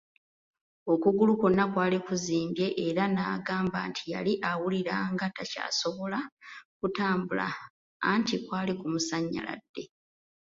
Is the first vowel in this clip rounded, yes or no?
yes